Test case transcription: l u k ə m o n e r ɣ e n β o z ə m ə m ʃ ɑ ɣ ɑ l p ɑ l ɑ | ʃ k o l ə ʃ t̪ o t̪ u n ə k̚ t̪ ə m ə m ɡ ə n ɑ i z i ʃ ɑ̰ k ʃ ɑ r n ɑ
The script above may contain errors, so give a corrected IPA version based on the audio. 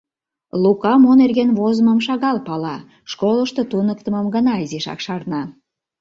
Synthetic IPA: l u k ɑ m o n e r ɣ e n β o z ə m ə m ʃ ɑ ɣ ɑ l p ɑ l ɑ | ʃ k o l ə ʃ t̪ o t̪ u n ə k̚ t̪ ə m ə m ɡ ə n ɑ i z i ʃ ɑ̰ k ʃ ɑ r n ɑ